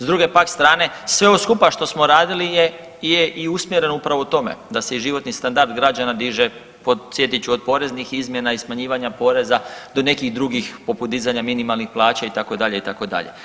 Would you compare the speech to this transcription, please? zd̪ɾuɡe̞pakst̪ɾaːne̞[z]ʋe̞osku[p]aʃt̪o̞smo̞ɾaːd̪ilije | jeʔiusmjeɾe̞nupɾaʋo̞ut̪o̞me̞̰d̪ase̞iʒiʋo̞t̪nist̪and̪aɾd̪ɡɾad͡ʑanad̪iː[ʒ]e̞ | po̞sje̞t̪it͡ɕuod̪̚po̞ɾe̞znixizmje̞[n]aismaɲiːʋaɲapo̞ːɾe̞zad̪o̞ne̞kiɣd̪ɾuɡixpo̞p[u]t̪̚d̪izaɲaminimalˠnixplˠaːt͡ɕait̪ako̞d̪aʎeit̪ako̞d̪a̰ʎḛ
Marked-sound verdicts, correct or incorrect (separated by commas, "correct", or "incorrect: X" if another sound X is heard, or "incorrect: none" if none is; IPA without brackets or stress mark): incorrect: s, correct, correct, correct, correct